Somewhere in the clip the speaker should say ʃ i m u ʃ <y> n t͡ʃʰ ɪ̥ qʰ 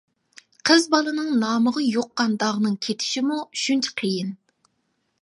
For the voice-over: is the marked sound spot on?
yes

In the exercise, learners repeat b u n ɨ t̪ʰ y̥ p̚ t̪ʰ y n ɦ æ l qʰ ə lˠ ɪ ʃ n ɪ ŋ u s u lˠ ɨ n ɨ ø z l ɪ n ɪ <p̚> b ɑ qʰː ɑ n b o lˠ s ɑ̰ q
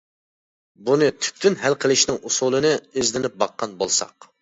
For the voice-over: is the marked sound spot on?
yes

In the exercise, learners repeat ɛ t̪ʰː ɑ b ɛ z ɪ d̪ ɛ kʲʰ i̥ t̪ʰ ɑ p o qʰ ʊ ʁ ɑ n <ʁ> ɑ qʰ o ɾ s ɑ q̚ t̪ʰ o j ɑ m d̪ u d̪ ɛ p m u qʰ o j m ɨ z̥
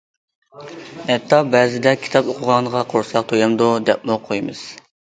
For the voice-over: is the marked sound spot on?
yes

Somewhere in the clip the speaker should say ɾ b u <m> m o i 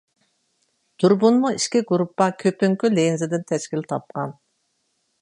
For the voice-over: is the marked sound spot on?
no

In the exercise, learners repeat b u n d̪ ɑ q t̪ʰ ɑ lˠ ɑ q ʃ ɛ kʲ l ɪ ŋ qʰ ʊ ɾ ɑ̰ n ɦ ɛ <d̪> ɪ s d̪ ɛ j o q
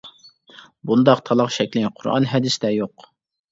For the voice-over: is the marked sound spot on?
yes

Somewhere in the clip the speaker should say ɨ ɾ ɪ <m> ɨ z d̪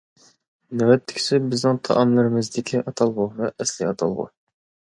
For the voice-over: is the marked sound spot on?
yes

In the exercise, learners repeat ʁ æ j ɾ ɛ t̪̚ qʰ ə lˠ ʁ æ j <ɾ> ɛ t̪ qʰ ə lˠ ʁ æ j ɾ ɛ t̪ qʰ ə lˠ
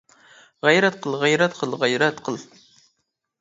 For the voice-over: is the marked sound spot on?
yes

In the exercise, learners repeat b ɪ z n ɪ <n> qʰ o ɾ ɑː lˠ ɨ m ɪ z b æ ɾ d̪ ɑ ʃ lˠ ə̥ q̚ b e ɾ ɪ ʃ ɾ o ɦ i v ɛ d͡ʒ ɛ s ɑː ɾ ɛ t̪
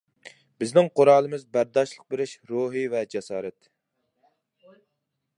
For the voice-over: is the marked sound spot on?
no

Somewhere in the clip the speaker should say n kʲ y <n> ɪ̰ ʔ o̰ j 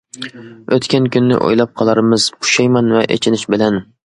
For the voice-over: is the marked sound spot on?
no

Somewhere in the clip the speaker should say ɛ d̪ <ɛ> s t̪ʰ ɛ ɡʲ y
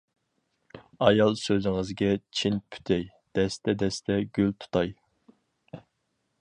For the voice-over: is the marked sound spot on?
yes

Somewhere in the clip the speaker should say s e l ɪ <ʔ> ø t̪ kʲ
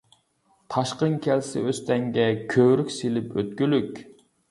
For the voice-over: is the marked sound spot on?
no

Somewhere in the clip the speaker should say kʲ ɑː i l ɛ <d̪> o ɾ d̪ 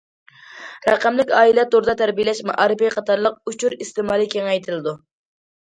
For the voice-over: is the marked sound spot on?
no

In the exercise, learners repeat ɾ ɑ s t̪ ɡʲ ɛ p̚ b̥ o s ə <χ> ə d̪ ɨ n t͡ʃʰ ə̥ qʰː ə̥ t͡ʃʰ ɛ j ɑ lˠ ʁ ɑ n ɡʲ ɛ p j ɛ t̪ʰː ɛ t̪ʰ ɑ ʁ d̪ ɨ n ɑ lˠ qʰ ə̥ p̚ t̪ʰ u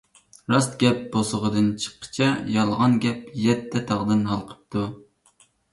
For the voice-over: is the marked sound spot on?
no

